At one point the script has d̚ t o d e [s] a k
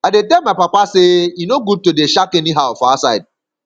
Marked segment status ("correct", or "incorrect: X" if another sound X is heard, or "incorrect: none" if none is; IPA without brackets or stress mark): incorrect: ʃ